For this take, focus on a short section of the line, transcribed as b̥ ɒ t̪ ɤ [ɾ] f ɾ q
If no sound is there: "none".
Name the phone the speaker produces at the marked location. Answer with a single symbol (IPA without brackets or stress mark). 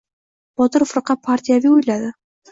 ɾ